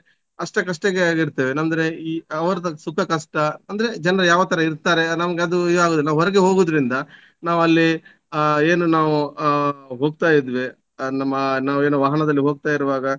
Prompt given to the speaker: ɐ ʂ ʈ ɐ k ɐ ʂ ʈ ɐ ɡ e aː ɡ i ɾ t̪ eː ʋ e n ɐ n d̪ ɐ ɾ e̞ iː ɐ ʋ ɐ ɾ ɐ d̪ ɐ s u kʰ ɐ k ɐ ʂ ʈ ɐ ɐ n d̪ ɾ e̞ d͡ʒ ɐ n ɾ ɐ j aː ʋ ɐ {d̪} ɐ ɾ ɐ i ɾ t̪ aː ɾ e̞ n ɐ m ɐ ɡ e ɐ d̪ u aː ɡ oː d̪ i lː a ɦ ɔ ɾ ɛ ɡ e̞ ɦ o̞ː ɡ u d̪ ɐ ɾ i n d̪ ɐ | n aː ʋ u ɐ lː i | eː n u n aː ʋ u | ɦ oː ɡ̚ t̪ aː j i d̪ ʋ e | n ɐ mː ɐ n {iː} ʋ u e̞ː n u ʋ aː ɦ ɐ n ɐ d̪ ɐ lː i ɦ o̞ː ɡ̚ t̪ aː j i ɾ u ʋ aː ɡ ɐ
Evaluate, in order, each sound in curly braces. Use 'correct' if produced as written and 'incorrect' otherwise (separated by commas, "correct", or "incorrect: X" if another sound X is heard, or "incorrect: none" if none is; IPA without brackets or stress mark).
incorrect: t̪, incorrect: aː